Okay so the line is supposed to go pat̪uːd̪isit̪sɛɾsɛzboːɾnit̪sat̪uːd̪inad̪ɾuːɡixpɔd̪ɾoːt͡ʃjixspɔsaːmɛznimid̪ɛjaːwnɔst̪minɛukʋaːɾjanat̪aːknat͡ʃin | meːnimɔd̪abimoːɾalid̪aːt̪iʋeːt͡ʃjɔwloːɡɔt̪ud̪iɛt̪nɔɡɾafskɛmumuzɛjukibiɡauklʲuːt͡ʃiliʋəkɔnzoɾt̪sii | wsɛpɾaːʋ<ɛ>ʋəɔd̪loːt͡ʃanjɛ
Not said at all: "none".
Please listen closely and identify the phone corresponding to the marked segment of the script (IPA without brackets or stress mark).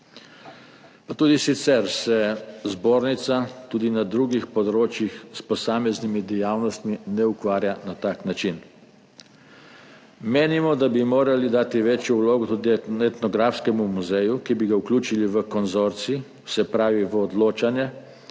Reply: i